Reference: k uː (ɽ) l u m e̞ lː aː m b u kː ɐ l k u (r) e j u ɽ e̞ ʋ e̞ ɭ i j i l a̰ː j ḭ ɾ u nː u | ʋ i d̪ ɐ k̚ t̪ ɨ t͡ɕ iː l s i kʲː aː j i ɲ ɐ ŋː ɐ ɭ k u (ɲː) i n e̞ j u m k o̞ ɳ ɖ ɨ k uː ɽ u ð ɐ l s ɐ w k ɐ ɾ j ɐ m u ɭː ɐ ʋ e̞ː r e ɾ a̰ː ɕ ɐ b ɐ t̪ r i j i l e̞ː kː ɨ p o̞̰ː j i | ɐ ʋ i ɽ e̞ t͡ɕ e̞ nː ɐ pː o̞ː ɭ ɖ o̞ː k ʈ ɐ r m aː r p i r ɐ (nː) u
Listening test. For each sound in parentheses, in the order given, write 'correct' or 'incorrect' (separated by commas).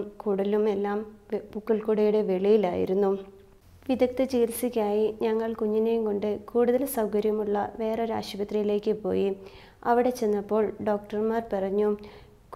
correct, incorrect, correct, incorrect